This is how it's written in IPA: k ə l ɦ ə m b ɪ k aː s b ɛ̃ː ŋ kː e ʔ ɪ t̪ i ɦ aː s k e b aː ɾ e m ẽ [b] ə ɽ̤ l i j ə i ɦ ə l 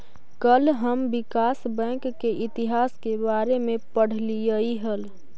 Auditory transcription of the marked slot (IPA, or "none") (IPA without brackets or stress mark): p